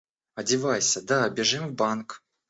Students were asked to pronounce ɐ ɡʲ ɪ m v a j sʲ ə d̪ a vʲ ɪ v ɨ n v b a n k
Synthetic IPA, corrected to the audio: ɐ dʲ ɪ v a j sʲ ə d̪ a bʲ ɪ ʐ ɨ m v b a n k